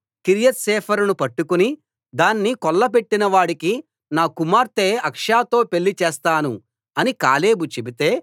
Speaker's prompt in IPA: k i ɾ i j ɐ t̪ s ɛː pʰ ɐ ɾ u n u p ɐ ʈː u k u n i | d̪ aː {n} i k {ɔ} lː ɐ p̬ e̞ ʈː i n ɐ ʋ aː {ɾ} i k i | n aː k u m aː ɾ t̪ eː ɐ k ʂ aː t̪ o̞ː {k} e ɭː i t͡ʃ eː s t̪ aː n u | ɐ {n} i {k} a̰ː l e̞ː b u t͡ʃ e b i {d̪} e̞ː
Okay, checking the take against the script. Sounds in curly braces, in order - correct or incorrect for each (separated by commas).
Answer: incorrect, correct, incorrect, incorrect, correct, correct, incorrect